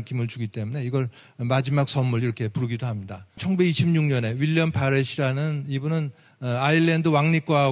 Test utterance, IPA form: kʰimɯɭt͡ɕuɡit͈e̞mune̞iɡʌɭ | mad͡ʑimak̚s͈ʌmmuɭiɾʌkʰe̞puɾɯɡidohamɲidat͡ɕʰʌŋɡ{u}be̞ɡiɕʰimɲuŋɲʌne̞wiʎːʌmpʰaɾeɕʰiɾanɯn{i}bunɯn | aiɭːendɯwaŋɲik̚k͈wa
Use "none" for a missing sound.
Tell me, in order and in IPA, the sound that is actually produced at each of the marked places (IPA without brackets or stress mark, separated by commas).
u, i